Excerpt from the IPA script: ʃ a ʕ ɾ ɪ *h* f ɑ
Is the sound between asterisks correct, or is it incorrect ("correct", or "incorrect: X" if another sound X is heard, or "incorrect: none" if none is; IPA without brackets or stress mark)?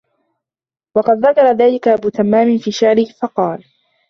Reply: correct